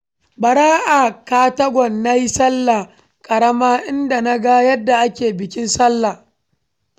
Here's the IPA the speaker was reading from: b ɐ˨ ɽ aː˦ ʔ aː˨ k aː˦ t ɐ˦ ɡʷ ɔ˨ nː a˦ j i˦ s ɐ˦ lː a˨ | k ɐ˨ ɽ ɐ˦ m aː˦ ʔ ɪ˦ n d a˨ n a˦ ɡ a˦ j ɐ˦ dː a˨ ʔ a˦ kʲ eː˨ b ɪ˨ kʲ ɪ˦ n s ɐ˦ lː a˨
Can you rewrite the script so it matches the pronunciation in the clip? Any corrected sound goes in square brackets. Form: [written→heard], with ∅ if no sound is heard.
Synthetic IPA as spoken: b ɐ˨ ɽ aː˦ ʔ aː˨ k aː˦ t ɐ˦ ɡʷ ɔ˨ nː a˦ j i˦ s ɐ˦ lː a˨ | [k→kʼ] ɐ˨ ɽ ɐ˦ m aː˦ ʔ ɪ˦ n d a˨ n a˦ ɡ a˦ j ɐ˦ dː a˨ ʔ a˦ kʲ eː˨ b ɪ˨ kʲ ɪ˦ n s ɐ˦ lː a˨